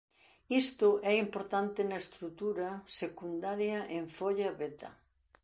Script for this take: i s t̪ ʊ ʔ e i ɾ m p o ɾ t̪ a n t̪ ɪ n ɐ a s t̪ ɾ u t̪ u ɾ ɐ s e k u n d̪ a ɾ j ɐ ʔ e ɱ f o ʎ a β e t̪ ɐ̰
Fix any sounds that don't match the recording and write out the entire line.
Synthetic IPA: i s t̪ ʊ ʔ ɛ i m p o ɾ t̪ a n t̪ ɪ n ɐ e s t̪ ɾ u t̪ u ɾ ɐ s e k u n d̪ a ɾ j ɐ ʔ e ɱ f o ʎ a β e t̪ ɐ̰